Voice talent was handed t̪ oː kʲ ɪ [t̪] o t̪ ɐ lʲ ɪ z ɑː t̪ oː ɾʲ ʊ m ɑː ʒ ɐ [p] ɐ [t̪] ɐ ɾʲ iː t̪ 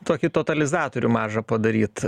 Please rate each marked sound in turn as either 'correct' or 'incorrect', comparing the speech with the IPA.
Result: correct, correct, incorrect: d̪

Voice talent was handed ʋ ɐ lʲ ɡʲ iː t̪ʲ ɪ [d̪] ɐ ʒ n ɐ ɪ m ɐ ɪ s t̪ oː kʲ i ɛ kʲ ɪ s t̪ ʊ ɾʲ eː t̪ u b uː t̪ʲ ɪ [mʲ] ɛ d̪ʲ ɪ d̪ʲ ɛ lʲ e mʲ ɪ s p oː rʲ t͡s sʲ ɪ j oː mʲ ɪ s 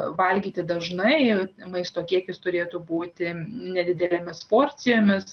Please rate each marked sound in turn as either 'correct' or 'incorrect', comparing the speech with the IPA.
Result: correct, incorrect: nʲ

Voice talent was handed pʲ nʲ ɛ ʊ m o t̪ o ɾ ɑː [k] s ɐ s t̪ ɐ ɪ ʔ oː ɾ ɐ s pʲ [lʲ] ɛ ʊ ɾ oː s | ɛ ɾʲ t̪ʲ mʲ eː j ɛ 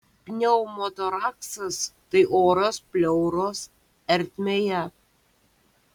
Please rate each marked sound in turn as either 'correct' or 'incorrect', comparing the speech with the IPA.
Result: correct, correct

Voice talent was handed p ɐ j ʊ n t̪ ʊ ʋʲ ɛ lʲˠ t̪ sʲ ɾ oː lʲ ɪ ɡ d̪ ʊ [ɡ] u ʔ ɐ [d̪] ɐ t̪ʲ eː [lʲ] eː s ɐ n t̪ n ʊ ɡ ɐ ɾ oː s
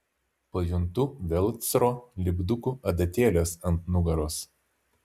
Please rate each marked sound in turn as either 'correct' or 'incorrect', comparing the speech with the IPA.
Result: incorrect: k, correct, correct

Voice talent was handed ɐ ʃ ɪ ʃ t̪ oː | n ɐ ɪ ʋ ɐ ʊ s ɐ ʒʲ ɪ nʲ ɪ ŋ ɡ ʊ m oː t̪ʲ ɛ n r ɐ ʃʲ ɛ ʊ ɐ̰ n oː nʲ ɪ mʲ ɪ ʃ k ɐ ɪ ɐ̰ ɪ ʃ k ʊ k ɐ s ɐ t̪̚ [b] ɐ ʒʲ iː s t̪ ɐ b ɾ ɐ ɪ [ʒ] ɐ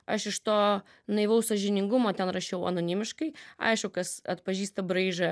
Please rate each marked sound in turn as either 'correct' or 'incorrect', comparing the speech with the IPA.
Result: incorrect: p, correct

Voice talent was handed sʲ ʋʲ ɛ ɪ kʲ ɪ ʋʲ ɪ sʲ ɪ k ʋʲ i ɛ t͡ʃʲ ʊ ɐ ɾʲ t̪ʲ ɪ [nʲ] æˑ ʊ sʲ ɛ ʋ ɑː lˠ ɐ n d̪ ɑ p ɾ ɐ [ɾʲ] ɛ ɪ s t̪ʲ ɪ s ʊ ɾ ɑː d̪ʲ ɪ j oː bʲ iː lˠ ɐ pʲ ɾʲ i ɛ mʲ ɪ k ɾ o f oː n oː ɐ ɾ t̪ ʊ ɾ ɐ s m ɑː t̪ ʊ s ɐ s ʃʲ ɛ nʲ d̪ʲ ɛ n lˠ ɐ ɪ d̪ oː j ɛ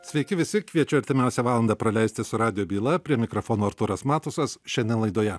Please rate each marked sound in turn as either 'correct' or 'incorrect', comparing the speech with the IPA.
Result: incorrect: mʲ, incorrect: lʲ

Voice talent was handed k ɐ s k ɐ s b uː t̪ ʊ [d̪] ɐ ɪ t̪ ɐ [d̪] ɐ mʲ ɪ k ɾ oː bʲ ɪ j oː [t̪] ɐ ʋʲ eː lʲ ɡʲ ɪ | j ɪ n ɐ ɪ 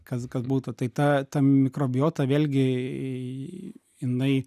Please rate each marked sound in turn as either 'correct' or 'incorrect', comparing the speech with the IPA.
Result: incorrect: t̪, incorrect: t̪, correct

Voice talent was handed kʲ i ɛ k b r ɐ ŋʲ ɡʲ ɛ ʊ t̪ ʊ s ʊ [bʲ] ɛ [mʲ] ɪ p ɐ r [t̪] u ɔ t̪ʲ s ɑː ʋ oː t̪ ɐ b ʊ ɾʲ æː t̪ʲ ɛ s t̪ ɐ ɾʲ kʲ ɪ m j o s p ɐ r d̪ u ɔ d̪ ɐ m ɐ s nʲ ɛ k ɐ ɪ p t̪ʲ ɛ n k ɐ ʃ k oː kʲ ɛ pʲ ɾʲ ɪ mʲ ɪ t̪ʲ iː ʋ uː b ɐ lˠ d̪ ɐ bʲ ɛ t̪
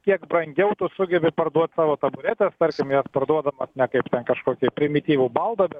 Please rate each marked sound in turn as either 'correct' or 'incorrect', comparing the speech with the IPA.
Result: incorrect: ɡʲ, incorrect: bʲ, incorrect: d̪

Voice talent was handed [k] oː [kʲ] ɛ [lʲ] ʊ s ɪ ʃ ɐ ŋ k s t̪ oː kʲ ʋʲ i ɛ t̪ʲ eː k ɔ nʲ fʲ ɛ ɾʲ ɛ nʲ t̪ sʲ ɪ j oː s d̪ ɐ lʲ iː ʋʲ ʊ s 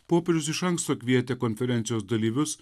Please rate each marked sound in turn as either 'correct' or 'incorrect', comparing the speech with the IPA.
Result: incorrect: p, incorrect: pʲ, incorrect: ɾʲ

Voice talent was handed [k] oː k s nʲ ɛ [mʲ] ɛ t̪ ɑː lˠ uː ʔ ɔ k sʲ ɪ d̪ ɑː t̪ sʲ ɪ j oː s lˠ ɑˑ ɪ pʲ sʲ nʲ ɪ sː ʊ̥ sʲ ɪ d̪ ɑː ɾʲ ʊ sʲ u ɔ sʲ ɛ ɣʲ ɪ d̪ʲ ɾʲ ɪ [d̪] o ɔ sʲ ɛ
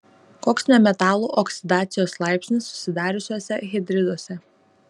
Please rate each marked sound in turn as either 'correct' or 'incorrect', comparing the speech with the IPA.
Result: correct, correct, correct

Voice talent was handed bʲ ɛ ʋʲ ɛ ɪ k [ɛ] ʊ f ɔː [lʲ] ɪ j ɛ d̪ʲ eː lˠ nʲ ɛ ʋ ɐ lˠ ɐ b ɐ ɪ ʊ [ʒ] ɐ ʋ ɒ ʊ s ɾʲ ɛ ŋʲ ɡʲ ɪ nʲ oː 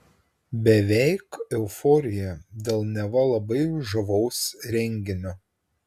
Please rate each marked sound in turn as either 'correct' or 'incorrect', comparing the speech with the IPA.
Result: correct, incorrect: ɾʲ, correct

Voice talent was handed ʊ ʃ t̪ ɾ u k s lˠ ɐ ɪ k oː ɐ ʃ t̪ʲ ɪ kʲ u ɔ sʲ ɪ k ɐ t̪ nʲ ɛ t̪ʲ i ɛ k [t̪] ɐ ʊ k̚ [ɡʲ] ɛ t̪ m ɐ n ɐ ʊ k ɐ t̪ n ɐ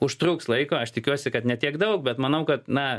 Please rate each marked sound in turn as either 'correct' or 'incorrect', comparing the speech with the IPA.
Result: incorrect: d̪, incorrect: bʲ

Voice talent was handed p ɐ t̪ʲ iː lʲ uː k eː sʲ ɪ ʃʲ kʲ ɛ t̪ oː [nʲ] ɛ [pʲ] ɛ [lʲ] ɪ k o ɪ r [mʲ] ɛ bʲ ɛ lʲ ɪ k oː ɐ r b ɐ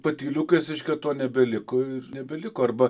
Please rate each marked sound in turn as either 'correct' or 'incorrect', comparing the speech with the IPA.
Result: correct, incorrect: bʲ, correct, incorrect: nʲ

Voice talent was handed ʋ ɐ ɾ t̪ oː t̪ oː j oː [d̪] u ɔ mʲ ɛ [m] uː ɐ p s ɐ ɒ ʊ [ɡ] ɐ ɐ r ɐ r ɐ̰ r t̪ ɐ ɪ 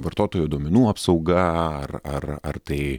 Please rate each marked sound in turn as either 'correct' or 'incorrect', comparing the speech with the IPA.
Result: correct, incorrect: n, correct

